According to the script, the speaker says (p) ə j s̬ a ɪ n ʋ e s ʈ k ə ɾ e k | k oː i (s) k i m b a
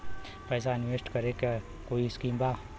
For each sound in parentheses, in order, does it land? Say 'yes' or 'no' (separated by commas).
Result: yes, yes